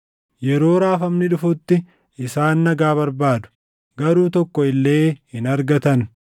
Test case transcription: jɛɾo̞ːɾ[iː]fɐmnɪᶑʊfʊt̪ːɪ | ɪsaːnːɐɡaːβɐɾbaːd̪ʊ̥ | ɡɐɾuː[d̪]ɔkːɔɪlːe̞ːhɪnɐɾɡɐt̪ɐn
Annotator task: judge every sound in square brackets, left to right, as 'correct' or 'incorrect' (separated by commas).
incorrect, incorrect